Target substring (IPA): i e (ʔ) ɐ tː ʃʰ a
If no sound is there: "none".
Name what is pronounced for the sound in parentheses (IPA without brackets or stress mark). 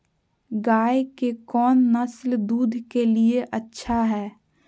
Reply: ʔ